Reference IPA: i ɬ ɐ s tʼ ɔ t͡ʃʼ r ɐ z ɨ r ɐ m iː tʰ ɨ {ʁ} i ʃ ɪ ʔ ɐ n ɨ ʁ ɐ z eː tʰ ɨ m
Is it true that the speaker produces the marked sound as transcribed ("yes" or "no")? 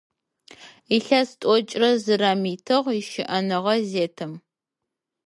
yes